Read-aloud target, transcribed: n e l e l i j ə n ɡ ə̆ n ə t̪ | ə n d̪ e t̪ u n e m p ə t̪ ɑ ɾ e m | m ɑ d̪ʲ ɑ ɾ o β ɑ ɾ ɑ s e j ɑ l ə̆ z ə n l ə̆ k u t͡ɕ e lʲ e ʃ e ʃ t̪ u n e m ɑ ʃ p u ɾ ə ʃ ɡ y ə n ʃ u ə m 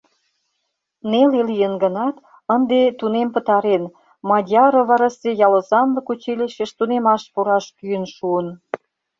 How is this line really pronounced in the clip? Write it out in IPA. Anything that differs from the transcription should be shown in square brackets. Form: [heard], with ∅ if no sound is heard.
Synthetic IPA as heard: n e l e l i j ə n ɡ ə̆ n [ɑ] t̪ | ə n d̪ e t̪ u n e m p ə t̪ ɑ ɾ e [n] | m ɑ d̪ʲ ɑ ɾ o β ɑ ɾ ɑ s e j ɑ l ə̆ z [ɑ] n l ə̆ k u t͡ɕ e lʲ e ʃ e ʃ t̪ u n e m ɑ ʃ p u ɾ [ɑ] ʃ [k] y ə n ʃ u ə [n]